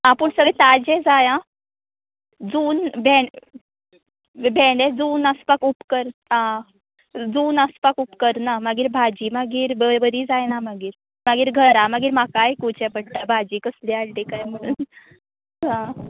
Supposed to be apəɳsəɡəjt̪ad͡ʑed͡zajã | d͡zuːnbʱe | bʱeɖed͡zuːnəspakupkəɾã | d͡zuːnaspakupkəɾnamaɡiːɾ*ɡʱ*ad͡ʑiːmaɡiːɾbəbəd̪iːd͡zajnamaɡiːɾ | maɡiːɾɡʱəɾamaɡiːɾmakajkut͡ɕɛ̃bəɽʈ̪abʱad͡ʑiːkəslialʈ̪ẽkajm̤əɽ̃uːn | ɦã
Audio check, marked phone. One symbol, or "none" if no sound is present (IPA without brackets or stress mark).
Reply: bʱ